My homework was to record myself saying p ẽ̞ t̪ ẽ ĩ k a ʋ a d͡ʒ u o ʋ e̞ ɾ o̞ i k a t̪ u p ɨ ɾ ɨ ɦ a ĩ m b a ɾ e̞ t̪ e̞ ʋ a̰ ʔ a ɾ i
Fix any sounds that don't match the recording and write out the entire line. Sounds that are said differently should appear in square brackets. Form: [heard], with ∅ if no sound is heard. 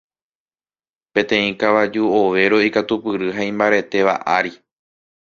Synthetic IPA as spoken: p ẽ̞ t̪ ẽ ĩ k a ʋ a d͡ʒ u o ʋ e̞ ɾ o̞ i k a t̪ u p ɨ ɾ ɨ ɦ a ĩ m b a ɾ e̞ t̪ e̞ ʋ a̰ ʔ a ɾ i

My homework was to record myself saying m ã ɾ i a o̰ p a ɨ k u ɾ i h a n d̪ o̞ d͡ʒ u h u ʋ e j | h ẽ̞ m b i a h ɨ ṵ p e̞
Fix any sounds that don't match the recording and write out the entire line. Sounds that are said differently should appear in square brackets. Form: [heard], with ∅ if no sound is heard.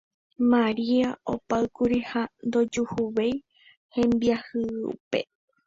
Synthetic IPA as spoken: m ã ɾ i a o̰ p a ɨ k u ɾ i h a n d̪ o̞ d͡ʒ u h u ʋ e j | h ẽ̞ m b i a h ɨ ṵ p e̞

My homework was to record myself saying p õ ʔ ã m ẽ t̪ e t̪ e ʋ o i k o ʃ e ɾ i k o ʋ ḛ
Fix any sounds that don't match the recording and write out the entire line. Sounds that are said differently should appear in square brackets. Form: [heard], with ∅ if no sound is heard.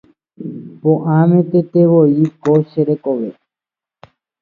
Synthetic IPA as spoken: p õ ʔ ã m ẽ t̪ e t̪ e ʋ o i k o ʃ e ɾ [e] k o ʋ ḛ

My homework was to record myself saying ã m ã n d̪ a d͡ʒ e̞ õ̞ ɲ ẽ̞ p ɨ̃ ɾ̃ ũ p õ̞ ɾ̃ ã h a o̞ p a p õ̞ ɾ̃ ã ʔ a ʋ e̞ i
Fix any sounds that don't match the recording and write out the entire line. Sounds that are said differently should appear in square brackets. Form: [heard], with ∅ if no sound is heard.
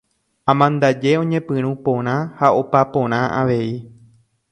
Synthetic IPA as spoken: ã m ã n d̪ a d͡ʒ e̞ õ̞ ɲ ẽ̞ p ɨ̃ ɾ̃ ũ p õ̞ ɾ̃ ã h a o̞ p a p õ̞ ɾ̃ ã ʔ a ʋ e̞ i

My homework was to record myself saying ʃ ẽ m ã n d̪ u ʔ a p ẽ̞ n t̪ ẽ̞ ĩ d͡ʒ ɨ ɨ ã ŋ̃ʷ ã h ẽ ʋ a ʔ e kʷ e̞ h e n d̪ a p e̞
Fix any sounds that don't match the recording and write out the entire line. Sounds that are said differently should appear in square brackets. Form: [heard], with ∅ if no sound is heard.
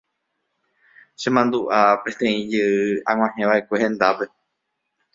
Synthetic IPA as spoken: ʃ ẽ m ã n d̪ u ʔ a p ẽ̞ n t̪ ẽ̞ ĩ d͡ʒ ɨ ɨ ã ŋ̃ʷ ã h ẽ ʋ a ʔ e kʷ e̞ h [ẽ] n d̪ a p e̞

